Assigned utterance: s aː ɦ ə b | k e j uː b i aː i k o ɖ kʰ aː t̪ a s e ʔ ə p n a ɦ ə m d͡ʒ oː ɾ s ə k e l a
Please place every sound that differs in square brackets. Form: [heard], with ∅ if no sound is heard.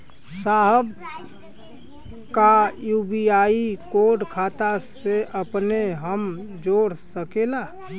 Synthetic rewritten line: s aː ɦ ə b | k [a] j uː b i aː i k o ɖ kʰ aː t̪ a s e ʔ ə p n [e] ɦ ə m d͡ʒ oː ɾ s ə k e l a